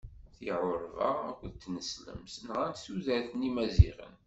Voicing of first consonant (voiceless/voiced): voiceless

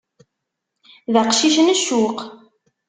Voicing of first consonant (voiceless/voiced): voiced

